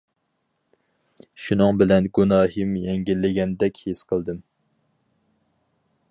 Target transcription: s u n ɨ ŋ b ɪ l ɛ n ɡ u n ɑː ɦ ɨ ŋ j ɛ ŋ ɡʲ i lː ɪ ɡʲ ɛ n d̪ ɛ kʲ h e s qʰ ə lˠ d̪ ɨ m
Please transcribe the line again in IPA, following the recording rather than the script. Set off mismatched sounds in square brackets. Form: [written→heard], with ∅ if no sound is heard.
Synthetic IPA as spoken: [s→ʃ] u n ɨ ŋ b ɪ l ɛ n ɡ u n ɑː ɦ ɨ [ŋ→m] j ɛ ŋ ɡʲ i lː ɪ ɡʲ ɛ n d̪ ɛ kʲ h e s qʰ ə lˠ d̪ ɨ m